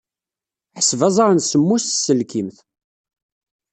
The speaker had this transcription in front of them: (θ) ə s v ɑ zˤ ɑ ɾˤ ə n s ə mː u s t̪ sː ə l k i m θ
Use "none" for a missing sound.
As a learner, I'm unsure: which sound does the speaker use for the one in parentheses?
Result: ħ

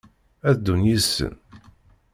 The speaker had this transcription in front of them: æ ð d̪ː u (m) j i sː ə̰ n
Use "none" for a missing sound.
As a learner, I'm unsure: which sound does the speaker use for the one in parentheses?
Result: n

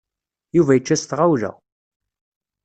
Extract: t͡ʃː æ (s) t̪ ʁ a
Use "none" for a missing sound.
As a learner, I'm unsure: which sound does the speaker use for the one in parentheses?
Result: s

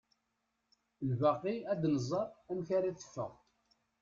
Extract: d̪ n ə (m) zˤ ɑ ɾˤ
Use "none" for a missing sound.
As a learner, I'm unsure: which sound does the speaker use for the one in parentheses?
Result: none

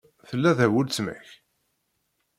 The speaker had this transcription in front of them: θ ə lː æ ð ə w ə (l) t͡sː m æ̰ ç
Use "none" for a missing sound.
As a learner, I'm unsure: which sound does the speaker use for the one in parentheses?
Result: l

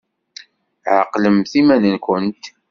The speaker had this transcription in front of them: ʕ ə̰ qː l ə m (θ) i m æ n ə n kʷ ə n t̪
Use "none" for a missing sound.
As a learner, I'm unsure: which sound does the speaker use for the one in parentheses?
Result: θ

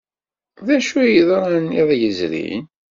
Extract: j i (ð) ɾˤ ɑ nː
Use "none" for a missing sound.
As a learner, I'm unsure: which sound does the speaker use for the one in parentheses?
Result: ð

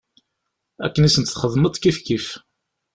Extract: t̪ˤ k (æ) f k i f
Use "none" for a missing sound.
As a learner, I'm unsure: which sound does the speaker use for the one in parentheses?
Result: i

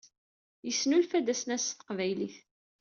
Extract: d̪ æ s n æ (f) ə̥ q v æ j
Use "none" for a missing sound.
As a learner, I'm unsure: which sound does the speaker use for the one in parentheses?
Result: s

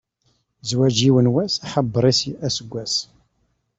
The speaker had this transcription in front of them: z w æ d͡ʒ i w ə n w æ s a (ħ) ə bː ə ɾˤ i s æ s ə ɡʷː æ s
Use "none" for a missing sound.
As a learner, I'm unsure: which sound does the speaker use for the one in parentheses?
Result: ħ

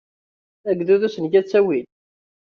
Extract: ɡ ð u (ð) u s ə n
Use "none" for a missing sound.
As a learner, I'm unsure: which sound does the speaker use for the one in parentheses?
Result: ð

